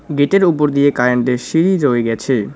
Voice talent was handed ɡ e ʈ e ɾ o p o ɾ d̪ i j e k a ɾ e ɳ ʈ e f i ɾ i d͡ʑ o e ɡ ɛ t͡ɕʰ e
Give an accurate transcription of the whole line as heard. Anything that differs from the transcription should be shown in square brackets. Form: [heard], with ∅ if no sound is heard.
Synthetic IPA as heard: ɡ e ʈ e ɾ [u] p o ɾ d̪ i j e k a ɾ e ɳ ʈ e [ʃ] i ɾ i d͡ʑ o e ɡ ɛ t͡ɕʰ e